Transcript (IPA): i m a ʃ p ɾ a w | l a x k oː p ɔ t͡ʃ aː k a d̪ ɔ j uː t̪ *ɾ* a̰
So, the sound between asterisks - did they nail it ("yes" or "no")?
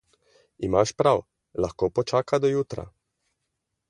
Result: yes